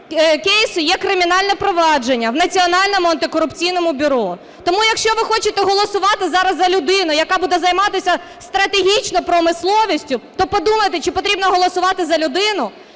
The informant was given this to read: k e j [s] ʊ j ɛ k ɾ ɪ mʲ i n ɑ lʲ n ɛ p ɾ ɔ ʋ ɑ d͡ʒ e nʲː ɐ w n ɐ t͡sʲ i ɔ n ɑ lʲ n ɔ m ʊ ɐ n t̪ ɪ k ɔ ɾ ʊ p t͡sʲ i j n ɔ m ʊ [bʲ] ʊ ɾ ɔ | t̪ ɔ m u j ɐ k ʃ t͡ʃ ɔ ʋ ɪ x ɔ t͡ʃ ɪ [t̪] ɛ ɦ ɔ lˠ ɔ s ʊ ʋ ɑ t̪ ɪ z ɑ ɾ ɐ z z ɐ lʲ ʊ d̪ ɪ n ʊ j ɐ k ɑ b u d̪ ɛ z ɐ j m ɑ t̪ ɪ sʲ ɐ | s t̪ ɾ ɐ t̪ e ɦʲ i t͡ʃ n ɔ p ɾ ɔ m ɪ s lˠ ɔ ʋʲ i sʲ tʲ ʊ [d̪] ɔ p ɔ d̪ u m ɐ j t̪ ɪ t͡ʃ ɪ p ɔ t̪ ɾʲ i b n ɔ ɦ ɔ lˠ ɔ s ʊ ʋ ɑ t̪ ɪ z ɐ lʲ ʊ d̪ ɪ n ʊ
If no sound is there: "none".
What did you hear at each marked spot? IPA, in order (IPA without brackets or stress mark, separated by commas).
s, bʲ, t̪, t̪